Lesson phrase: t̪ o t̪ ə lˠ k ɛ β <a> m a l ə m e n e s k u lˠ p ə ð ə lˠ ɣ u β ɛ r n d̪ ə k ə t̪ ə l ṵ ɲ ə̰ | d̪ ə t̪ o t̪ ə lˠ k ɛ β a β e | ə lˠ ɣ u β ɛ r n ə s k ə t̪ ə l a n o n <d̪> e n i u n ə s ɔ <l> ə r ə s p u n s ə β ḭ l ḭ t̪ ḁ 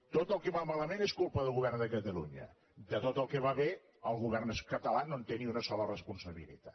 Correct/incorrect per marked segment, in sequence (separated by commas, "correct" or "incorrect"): correct, incorrect, correct